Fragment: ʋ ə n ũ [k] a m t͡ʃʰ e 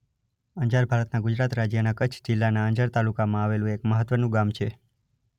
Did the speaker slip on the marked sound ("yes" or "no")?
yes